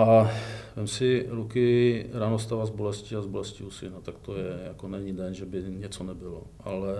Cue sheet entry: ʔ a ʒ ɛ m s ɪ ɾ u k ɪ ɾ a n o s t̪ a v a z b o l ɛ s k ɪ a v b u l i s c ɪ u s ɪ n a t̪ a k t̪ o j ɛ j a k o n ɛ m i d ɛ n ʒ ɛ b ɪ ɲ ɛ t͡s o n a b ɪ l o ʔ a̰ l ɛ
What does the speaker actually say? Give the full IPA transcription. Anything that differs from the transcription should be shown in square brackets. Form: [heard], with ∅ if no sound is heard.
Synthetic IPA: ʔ a [v] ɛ m s ɪ ɾ u k ɪ ɾ a n o s t̪ a v a z b o l ɛ s [c] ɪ a [z] b [o] l [ɛ] s c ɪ u s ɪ n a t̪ a k t̪ o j ɛ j a k o n ɛ [ɲ] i d ɛ n ʒ ɛ b ɪ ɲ ɛ t͡s o n [ɛ] b ɪ l o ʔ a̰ l ɛ